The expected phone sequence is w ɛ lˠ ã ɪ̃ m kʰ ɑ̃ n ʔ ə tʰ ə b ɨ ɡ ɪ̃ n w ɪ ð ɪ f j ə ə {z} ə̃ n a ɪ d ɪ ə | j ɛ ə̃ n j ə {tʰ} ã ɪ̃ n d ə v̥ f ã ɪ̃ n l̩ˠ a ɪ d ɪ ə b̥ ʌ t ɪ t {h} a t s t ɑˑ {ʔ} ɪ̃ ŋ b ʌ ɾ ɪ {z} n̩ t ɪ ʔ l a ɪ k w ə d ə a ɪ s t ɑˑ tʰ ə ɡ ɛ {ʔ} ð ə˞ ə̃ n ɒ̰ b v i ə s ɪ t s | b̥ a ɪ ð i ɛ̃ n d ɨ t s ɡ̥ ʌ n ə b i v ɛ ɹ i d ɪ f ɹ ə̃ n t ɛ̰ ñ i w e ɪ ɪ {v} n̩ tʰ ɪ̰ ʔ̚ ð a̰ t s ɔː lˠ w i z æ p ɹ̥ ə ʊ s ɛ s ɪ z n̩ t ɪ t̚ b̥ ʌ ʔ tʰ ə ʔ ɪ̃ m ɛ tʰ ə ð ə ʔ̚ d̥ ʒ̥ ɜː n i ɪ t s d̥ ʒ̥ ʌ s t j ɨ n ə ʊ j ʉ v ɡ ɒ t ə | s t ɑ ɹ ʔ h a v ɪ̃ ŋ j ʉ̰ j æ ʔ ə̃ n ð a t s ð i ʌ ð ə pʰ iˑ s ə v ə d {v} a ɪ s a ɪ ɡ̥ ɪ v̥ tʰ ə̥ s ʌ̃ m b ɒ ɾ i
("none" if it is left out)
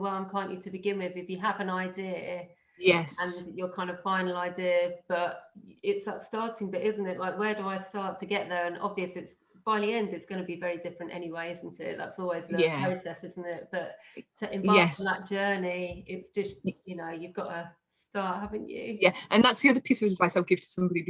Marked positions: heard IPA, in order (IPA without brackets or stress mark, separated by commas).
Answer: v, kʰ, s, t, z, ʔ, z, v